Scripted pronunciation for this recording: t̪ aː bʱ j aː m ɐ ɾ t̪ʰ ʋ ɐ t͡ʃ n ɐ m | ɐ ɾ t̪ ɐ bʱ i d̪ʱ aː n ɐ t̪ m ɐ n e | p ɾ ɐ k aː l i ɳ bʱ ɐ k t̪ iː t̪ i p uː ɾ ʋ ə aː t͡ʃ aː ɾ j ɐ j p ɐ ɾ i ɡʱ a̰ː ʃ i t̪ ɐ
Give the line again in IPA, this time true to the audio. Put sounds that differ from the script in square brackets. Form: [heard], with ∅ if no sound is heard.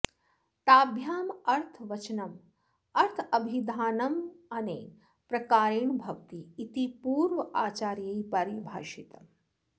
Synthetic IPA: t̪ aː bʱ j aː m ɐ ɾ t̪ʰ ʋ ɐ t͡ʃ n ɐ m | ɐ ɾ [t̪ʰ] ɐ bʱ i d̪ʱ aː n ɐ [∅] m ɐ n e | p ɾ ɐ k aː [ɾ] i ɳ bʱ ɐ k t̪ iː t̪ i p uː ɾ ʋ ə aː t͡ʃ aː ɾ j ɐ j p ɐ ɾ i [bʱ] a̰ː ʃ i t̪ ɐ

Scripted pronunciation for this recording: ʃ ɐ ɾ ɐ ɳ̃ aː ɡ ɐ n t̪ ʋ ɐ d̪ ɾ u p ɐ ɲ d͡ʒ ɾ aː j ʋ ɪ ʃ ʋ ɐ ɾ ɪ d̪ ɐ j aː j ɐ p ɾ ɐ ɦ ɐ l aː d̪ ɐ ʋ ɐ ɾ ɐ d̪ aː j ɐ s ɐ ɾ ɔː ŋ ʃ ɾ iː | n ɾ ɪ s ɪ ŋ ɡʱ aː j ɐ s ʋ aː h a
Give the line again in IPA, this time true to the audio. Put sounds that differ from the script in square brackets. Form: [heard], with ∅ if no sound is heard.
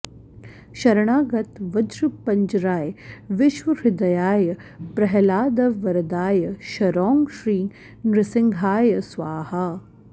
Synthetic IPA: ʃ ɐ ɾ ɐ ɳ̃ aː ɡ ɐ [∅] t̪ ʋ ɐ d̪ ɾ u p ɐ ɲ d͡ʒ ɾ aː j ʋ ɪ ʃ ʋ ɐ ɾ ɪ d̪ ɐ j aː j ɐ p ɾ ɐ ɦ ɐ l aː d̪ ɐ ʋ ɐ ɾ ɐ d̪ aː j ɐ [ʃ] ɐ ɾ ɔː ŋ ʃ ɾ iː | n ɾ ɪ s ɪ ŋ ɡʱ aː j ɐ s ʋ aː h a

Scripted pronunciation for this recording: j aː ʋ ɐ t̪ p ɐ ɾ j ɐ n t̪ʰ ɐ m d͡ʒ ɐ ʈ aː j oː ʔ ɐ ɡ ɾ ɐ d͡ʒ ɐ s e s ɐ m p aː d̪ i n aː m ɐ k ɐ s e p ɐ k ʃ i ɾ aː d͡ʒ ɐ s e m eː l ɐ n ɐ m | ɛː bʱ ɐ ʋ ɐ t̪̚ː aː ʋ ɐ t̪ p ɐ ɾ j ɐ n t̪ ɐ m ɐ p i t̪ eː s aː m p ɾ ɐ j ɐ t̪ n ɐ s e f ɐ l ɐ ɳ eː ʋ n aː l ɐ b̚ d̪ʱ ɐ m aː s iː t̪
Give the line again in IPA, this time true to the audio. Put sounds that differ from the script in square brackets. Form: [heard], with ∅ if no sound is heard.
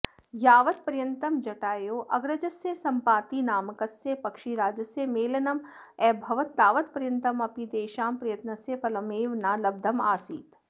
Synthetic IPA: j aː ʋ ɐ t̪ p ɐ ɾ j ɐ n [t̪] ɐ m d͡ʒ ɐ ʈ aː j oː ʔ ɐ ɡ ɾ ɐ d͡ʒ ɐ s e s ɐ m p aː [t̪] i n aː m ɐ k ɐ s e p ɐ k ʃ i ɾ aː d͡ʒ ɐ s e m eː l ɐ n ɐ m | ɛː bʱ ɐ ʋ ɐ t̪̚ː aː ʋ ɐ t̪ p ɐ ɾ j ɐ n t̪ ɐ m ɐ p i [d̪] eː [ʃ] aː m p ɾ ɐ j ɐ t̪ n ɐ s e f ɐ l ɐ [m] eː ʋ n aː l ɐ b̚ d̪ʱ ɐ m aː s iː t̪

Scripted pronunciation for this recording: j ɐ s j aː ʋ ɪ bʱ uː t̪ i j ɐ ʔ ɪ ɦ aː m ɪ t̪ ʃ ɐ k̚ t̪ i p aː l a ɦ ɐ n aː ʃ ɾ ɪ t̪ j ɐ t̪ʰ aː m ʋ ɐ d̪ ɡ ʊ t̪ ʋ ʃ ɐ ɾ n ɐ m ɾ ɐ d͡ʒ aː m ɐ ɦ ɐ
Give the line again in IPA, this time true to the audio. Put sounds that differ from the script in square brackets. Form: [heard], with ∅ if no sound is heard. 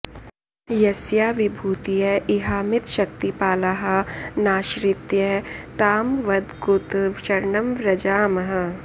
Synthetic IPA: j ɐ s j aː ʋ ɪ bʱ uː t̪ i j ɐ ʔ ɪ ɦ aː m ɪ t̪ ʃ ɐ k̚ t̪ i p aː l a ɦ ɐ n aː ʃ ɾ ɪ t̪ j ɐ [t̪] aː m ʋ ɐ d̪ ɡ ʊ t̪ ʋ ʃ ɐ ɾ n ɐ m ɾ ɐ d͡ʒ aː m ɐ ɦ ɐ

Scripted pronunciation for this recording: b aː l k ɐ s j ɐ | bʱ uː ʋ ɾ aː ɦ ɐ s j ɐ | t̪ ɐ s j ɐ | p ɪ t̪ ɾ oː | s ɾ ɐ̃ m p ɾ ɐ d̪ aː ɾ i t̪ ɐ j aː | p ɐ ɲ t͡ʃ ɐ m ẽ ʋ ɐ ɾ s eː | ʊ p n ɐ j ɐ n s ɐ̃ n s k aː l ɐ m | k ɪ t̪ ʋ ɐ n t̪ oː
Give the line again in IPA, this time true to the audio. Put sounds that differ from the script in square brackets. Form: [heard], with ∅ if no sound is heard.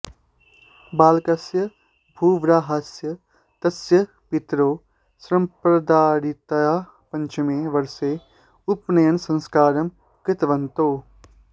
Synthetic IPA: b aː l k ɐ s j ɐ | bʱ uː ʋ ɾ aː ɦ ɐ s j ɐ | t̪ ɐ s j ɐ | p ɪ t̪ ɾ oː | s ɾ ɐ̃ m p ɾ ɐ d̪ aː ɾ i t̪ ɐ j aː | p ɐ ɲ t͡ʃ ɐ m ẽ ʋ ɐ ɾ s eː | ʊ p n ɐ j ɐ n s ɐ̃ n s k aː [ɾ] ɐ m | k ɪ t̪ ʋ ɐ n t̪ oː

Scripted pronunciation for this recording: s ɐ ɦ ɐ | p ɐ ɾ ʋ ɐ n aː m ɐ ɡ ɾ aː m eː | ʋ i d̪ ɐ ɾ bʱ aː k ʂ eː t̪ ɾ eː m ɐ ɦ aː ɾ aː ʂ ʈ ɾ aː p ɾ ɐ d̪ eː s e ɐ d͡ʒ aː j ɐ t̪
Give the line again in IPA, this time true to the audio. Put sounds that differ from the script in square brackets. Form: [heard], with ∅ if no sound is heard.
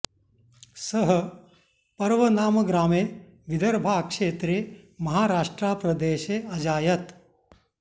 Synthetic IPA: s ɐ ɦ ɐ | p ɐ ɾ ʋ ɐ n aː m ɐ ɡ ɾ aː m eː | ʋ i d̪ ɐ ɾ bʱ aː k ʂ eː t̪ ɾ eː m ɐ ɦ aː ɾ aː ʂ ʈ ɾ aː p ɾ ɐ d̪ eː [ʃ] e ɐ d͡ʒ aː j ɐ t̪

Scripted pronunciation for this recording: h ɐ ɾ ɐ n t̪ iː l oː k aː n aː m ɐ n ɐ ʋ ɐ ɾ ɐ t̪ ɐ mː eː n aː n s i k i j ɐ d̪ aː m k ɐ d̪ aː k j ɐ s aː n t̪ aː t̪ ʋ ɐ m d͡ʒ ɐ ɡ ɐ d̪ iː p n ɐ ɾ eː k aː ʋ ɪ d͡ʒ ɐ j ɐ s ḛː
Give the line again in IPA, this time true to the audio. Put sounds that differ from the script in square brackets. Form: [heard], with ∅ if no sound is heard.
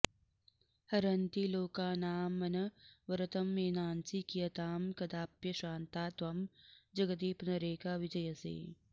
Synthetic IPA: h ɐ ɾ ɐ n t̪ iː l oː k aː n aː m ɐ n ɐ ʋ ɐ ɾ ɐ t̪ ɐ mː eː n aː n s i k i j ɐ [t̪] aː m k ɐ d̪ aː [p] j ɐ [ʃ] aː n t̪ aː t̪ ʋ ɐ m d͡ʒ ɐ ɡ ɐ d̪ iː p n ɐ ɾ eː k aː ʋ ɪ d͡ʒ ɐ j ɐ s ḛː

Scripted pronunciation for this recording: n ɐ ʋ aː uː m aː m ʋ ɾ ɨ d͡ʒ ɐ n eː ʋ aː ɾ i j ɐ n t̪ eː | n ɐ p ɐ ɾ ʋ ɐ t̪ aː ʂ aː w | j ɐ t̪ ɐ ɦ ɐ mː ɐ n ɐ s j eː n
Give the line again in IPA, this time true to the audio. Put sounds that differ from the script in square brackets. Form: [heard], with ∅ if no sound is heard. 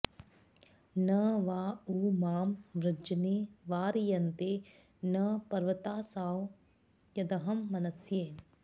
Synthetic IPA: n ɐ ʋ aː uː m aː m ʋ ɾ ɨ d͡ʒ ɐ n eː ʋ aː ɾ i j ɐ n t̪ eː | n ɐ p ɐ ɾ ʋ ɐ t̪ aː [s] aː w | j ɐ [d̪] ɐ ɦ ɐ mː ɐ n ɐ s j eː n

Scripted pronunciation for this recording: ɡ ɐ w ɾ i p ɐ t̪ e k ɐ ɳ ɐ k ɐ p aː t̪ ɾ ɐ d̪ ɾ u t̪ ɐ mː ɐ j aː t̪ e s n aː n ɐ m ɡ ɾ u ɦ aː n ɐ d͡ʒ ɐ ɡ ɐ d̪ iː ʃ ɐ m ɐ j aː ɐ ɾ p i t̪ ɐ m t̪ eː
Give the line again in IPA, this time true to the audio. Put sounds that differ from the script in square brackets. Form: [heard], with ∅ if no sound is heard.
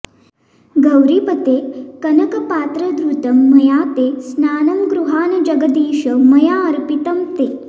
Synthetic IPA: ɡ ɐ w ɾ i p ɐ t̪ e k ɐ [n] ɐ k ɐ p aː t̪ ɾ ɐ d̪ ɾ u t̪ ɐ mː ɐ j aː t̪ e s n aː n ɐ m ɡ ɾ u ɦ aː n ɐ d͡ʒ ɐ ɡ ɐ d̪ iː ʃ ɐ m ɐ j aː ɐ ɾ p i t̪ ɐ m t̪ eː

